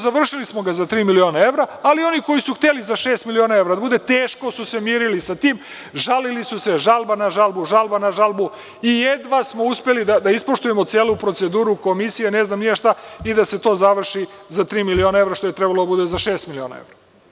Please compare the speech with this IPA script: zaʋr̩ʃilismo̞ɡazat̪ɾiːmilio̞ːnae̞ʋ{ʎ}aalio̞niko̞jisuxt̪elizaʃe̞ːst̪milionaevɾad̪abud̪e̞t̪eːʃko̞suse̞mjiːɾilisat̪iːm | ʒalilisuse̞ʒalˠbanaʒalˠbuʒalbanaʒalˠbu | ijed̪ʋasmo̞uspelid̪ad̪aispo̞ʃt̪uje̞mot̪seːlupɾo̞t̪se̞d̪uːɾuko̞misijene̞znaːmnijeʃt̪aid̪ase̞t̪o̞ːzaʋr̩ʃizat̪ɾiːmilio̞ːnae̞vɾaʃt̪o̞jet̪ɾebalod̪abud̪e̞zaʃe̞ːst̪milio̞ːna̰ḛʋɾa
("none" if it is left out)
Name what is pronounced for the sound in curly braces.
ɾ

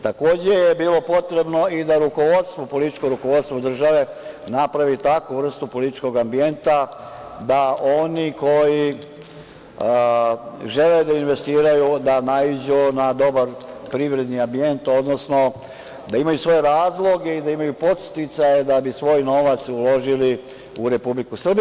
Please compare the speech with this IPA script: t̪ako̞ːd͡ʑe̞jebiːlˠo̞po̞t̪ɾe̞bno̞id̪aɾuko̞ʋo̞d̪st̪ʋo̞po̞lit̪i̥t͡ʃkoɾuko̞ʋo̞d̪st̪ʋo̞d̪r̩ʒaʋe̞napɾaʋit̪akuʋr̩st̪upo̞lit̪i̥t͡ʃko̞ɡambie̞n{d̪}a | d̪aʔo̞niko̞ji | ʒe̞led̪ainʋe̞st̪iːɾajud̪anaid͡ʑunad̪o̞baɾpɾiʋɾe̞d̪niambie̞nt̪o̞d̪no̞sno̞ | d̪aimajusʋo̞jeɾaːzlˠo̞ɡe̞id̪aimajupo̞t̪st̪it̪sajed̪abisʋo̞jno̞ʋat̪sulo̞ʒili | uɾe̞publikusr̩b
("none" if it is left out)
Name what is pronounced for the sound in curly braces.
t̪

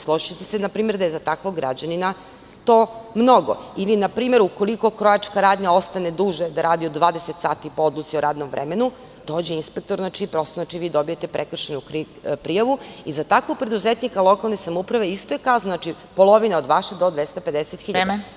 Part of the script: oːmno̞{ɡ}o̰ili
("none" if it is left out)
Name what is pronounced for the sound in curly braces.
ɡ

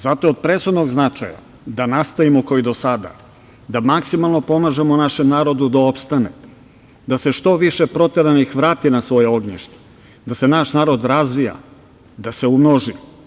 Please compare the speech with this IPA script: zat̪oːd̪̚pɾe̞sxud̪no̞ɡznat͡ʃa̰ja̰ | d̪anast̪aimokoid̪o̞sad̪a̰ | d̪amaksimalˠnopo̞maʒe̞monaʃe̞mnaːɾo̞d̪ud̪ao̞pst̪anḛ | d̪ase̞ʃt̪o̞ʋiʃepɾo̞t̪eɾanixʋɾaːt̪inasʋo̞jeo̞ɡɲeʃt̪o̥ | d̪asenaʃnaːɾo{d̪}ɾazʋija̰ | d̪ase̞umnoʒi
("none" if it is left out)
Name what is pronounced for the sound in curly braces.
d̪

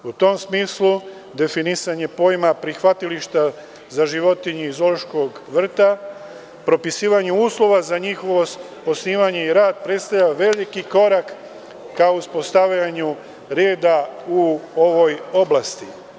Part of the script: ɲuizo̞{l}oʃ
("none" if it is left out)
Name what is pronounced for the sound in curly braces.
l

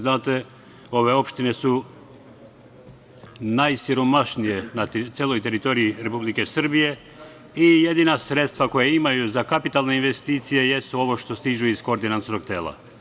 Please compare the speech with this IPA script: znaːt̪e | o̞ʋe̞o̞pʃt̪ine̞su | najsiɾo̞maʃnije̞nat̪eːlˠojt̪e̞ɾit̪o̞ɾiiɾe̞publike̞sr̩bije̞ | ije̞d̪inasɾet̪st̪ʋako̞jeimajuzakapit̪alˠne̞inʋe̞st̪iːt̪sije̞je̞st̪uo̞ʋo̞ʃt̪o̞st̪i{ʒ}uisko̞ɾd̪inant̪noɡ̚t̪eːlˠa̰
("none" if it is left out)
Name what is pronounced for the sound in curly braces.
ʒ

